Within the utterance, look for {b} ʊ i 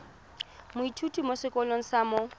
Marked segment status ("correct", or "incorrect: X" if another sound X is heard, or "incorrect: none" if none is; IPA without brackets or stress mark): incorrect: m